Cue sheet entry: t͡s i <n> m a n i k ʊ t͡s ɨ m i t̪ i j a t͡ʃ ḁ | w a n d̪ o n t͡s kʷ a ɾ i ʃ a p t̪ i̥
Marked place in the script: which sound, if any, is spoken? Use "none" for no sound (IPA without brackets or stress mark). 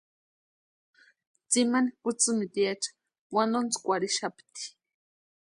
none